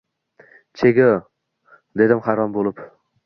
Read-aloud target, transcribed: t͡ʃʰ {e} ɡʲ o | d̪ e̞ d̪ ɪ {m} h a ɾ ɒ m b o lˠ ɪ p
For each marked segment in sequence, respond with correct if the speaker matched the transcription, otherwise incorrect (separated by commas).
correct, correct